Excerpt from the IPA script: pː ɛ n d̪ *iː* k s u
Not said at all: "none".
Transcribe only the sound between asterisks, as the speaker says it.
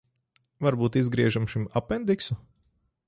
i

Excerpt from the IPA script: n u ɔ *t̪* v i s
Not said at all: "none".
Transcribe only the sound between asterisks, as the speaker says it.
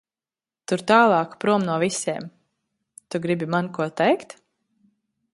none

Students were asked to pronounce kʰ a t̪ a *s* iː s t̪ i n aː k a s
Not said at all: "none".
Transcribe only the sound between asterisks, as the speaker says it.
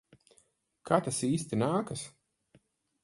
s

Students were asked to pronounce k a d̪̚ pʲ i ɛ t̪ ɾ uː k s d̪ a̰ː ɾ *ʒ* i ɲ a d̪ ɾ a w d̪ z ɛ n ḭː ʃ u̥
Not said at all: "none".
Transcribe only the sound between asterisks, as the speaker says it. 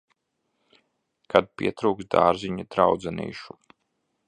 z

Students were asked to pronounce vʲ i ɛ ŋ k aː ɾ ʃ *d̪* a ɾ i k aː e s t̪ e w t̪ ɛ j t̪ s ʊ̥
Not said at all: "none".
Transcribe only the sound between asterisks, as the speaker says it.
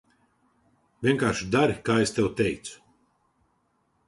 d̪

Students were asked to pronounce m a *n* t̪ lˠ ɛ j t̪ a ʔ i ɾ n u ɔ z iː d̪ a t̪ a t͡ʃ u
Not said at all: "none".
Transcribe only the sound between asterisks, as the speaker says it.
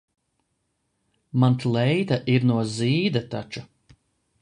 n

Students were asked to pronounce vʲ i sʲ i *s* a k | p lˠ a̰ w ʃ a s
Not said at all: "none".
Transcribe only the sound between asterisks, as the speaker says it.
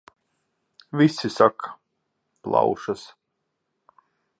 s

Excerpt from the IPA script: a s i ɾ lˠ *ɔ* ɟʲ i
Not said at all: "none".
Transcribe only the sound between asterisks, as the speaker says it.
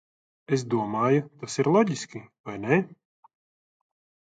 ɔ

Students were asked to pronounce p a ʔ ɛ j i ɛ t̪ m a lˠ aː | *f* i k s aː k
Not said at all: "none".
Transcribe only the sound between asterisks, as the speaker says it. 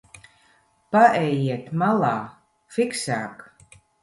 f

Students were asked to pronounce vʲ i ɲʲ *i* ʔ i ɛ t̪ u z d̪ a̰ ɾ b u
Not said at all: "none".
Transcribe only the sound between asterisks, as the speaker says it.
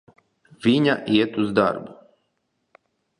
a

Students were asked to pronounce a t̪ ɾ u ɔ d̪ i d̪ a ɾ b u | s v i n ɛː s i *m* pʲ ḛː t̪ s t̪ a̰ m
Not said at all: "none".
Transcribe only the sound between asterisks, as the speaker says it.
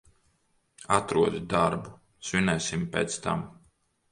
m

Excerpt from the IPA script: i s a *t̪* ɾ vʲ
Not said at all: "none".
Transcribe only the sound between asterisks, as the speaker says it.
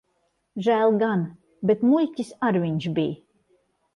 none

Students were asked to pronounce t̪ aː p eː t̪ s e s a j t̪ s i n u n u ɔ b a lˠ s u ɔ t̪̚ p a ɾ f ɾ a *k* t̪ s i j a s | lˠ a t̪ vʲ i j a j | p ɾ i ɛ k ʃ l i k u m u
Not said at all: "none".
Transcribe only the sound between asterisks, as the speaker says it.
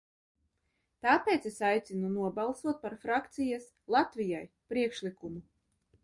k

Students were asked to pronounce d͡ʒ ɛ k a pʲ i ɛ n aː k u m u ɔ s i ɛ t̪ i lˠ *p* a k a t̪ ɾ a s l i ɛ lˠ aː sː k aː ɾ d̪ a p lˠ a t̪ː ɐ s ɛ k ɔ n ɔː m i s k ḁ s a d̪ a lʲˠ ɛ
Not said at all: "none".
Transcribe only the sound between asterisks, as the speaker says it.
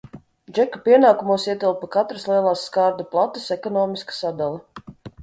p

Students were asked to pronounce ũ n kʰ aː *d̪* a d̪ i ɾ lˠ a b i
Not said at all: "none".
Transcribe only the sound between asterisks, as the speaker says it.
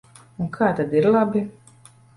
t̪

